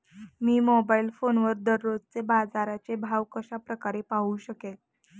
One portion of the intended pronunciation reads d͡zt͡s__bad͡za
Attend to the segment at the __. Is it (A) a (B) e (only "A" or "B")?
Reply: B